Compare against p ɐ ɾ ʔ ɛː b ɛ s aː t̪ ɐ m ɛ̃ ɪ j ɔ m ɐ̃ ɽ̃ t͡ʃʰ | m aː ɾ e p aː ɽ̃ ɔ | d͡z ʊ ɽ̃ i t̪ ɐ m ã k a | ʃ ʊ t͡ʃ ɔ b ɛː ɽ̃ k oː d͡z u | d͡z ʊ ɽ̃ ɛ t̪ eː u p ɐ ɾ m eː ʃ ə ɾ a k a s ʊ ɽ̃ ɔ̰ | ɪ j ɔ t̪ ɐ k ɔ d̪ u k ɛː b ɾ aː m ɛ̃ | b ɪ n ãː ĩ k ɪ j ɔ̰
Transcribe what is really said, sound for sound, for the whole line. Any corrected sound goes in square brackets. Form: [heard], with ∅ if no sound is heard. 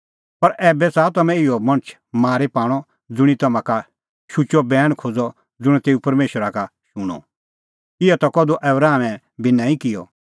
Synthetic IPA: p ɐ ɾ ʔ ɛː b ɛ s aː t̪ ɐ m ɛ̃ ɪ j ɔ m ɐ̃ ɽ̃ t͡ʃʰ | m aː ɾ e p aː ɽ̃ ɔ | d͡z ʊ ɽ̃ i t̪ ɐ m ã k a | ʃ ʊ t͡ʃ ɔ b ɛː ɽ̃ [kʰ] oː d͡z [ɔ] | d͡z ʊ ɽ̃ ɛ t̪ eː u p ɐ ɾ m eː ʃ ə ɾ a k a [ʃ] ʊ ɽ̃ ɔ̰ | ɪ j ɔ t̪ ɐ k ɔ d̪ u [ʔ] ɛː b ɾ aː m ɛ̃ | b ɪ n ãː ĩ k ɪ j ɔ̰